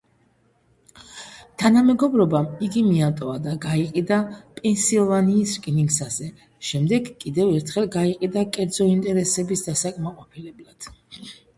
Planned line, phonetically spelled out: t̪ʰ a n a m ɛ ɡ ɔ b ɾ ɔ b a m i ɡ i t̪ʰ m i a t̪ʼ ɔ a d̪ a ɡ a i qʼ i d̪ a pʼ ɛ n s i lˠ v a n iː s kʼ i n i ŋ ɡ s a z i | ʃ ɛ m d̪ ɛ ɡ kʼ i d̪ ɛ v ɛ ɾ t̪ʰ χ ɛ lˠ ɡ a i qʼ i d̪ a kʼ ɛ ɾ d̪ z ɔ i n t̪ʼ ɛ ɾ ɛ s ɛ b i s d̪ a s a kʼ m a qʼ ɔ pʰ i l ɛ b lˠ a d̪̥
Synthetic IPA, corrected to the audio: t̪ʰ a n a m ɛ ɡ ɔ b ɾ ɔ b a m i ɡ i m i a t̪ʼ ɔ a d̪ a ɡ a i qʼ i d̪ a pʼ ɛ n s i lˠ v a n iː s kʼ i n i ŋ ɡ s a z ɛ | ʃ ɛ m d̪ ɛ ɡ kʼ i d̪ ɛ v ɛ ɾ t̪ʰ χ ɛ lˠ ɡ a i qʼ i d̪ a kʼ ɛ ɾ d̪ z ɔ i n t̪ʼ ɛ ɾ ɛ s ɛ b i s d̪ a s a kʼ m a qʼ ɔ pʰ i l ɛ b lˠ a d̪̥